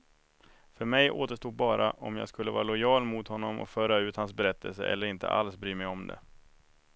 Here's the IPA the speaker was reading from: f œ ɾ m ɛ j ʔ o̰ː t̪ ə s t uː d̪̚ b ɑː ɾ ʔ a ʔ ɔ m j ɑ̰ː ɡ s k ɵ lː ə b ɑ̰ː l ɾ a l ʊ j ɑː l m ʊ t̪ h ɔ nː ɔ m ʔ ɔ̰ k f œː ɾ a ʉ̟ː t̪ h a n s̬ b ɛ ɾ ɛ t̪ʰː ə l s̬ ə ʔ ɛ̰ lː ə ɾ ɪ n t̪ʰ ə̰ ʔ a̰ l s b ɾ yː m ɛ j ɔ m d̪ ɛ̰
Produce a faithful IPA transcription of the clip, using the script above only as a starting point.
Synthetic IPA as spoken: f œ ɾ m ɛ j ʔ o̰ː t̪ ə ʂ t uː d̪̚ b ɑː ɾ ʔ a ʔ ɔ m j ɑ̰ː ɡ s k ɵ lː ə v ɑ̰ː ɾ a l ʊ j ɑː l m ʊ t̪ h ɔ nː ɔ m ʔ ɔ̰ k f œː ɾ a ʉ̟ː t̪ h a n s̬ b ɛ ɾ ɛ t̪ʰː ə l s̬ ə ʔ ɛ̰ lː ə ɾ ɪ n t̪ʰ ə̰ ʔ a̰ l s b ɾ yː m ɛ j ɔ m d̪ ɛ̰